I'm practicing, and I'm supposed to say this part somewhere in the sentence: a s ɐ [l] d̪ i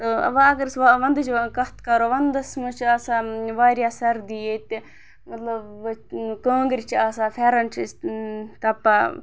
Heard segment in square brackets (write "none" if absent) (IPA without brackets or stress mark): ɾ